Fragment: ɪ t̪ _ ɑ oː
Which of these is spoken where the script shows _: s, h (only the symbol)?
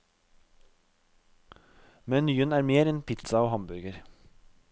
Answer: s